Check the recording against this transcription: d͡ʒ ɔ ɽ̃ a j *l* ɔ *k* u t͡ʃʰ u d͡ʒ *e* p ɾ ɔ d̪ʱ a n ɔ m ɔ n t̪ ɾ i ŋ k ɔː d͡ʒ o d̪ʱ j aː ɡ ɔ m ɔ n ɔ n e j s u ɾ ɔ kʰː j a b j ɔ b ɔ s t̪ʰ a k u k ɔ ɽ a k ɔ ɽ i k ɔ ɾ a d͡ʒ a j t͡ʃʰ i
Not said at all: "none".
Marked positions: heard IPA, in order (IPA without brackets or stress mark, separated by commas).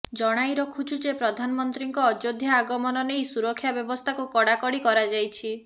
ɾ, kʰ, e